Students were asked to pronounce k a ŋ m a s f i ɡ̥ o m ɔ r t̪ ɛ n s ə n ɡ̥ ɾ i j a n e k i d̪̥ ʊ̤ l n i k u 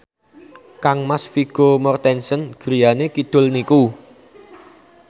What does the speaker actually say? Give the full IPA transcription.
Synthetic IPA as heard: k a ŋ m a s f i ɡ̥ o m ɔ r t̪ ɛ n s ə n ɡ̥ ɾ i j a n e k i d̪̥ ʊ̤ l n i k u